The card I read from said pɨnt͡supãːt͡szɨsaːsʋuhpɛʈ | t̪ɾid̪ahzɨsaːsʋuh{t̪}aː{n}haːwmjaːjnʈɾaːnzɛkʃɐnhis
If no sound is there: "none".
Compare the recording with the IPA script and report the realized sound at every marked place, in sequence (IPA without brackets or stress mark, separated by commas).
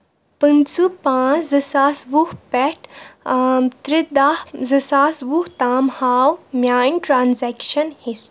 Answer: t̪, m